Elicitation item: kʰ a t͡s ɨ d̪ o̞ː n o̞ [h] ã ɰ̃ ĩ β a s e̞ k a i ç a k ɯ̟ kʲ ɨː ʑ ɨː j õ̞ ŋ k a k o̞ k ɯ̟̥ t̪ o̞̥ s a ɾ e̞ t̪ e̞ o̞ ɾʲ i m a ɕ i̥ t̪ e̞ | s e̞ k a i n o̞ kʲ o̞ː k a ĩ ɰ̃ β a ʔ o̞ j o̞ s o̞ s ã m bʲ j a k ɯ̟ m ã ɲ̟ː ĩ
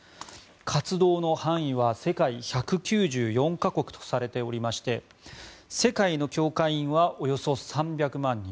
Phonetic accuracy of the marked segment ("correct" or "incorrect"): correct